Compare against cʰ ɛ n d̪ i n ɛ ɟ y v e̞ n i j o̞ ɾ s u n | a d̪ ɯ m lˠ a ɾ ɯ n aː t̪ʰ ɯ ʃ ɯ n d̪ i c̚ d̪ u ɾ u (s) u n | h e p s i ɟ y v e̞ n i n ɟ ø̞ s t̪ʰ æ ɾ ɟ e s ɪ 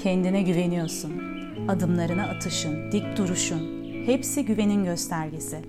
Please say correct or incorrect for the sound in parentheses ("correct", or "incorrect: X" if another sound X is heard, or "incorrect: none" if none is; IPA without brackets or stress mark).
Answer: incorrect: ʃ